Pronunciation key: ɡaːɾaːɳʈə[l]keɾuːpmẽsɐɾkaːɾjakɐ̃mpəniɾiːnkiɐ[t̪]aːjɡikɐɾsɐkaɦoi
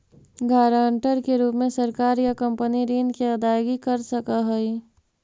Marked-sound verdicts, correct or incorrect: incorrect, incorrect

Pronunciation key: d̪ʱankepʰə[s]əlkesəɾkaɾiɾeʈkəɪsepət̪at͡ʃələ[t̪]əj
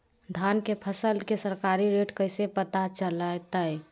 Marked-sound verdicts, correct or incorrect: correct, correct

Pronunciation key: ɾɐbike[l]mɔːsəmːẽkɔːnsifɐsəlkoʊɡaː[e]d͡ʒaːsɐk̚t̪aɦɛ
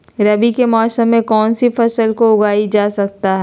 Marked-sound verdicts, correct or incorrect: incorrect, incorrect

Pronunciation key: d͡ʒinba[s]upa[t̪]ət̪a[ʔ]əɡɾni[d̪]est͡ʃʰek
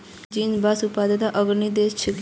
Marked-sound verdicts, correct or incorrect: correct, incorrect, correct, correct

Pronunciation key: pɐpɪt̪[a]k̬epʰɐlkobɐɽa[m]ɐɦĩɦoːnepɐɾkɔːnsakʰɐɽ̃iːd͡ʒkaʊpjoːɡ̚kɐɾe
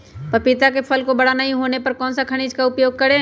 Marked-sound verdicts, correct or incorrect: correct, incorrect

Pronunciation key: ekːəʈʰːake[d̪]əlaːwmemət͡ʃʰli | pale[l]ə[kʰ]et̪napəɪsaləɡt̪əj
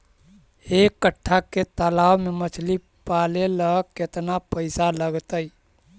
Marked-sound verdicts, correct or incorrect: incorrect, correct, incorrect

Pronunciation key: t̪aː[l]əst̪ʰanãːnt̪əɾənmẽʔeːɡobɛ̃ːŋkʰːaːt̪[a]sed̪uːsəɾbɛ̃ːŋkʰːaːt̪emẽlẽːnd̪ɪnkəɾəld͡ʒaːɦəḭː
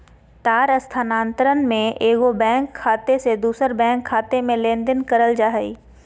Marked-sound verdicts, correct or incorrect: incorrect, incorrect

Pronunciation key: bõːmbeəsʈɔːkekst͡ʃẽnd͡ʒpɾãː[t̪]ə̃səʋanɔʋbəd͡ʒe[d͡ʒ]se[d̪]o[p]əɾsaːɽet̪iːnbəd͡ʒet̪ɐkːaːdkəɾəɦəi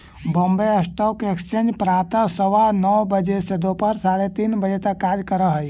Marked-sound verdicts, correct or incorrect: correct, incorrect, correct, correct

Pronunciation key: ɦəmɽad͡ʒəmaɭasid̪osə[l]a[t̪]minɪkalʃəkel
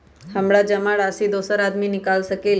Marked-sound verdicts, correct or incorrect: incorrect, incorrect

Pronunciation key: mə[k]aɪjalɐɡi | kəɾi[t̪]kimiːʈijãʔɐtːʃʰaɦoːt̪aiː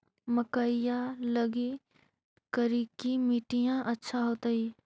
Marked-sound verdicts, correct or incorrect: correct, incorrect

